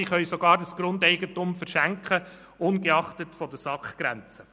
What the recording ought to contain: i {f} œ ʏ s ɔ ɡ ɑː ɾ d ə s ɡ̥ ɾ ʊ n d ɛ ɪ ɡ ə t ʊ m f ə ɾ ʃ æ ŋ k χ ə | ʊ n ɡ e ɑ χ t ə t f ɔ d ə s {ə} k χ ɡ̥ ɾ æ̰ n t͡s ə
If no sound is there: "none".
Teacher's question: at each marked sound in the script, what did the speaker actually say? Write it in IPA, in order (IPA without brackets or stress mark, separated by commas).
χ, ɑ